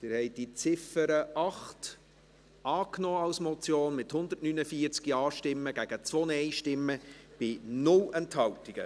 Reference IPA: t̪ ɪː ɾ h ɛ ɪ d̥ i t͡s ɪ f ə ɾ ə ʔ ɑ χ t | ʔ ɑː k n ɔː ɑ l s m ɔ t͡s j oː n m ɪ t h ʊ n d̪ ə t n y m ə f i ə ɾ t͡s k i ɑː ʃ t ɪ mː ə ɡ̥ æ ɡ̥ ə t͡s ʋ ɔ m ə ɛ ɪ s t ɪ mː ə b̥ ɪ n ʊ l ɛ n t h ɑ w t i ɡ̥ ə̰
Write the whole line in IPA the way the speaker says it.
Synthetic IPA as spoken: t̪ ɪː ɾ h ɛ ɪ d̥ i t͡s ɪ f ə ɾ ə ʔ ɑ χ t | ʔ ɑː k n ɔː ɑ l s m ɔ t͡s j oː n m ɪ t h ʊ n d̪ ə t n y n ə f i ə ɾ t͡s k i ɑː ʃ t ɪ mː ə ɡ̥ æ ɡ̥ ə t͡s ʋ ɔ n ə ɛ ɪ ʃ t ɪ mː ə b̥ ɪ n ʊ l ɛ n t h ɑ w t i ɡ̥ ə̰